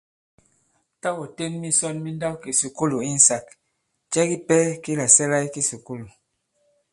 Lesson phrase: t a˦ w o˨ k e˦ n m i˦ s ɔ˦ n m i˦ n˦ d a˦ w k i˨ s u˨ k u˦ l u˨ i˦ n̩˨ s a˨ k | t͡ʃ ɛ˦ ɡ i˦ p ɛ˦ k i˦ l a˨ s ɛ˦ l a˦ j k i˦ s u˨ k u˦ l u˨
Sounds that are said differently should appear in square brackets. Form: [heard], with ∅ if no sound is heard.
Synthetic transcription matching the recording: t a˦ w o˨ [t] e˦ n m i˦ s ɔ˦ n m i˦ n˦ d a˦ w k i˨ s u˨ k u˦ l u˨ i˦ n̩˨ s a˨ k | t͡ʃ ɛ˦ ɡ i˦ p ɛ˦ k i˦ l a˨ s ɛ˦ l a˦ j k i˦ s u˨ k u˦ l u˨

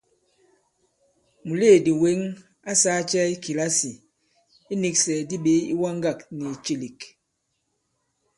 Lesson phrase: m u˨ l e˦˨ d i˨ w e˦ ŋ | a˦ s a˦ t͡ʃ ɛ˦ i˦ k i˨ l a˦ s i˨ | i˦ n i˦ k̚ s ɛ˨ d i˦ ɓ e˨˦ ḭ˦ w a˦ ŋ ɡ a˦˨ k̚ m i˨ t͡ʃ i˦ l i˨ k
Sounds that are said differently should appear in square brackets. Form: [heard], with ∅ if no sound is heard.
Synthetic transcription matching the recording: m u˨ l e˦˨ d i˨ w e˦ ŋ | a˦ s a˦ t͡ʃ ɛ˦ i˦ k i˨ l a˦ s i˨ | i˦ n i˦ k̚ s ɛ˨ d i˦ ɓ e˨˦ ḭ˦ w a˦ ŋ ɡ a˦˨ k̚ [n] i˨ t͡ʃ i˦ l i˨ k

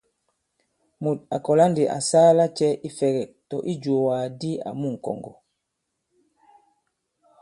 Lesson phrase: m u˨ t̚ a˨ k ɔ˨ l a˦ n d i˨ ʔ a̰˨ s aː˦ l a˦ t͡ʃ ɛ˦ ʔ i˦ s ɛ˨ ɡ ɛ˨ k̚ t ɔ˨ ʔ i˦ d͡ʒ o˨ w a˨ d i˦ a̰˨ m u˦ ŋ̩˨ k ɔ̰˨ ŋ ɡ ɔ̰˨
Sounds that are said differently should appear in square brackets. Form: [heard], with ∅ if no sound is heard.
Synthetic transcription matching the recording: m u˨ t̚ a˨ k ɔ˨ l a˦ n d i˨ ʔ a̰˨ s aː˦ l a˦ t͡ʃ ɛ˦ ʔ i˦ [f] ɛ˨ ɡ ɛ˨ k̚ t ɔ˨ ʔ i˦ d͡ʒ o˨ w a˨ d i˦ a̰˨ m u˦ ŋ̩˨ k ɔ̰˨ ŋ ɡ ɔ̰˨

